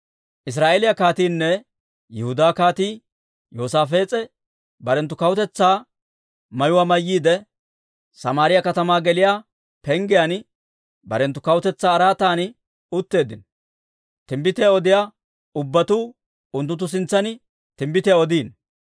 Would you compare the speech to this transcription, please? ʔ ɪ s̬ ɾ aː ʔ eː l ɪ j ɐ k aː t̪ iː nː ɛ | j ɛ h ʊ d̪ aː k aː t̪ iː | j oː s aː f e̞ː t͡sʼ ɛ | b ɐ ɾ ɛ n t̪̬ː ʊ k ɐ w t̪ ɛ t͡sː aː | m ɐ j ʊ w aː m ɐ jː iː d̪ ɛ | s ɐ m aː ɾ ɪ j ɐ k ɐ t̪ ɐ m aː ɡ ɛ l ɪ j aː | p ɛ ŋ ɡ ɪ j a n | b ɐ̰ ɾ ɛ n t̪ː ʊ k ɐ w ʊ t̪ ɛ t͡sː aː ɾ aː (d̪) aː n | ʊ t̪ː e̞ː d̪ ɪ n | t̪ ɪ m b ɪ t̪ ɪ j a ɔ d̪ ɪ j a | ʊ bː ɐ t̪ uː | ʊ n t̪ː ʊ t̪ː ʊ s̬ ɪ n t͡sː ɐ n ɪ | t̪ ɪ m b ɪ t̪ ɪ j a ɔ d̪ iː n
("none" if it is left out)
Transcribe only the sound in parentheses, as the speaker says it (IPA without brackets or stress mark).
t̪